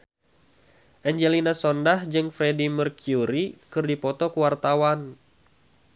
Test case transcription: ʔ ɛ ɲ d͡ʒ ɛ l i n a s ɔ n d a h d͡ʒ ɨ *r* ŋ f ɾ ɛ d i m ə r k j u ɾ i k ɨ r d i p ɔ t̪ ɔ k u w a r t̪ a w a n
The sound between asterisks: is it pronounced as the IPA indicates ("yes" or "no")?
no